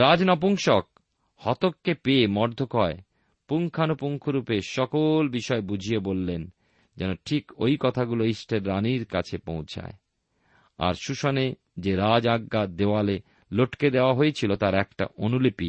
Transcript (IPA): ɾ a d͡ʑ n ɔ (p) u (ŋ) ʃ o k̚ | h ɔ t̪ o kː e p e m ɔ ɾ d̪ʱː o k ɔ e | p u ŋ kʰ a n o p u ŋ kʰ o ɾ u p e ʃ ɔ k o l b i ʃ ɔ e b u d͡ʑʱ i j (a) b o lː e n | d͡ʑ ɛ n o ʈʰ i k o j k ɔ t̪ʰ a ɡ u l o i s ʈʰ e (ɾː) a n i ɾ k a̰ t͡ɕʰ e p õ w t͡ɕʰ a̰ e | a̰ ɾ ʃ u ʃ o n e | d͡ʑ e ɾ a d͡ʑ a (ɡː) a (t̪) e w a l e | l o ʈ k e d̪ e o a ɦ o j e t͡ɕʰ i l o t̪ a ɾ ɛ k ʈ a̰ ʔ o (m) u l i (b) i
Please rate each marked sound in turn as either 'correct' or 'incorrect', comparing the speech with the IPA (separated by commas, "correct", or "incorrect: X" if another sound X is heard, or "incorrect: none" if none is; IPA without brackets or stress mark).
correct, correct, incorrect: e, correct, correct, incorrect: d̪, incorrect: n, incorrect: p